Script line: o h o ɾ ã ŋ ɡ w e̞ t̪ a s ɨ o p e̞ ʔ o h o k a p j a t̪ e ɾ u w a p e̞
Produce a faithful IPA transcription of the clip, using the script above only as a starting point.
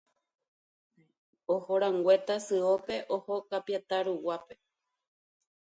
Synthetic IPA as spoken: o h o ɾ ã ŋ ɡ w e̞ t̪ a s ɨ o p e̞ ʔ o h o k a p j a t̪ a ɾ u w a p e̞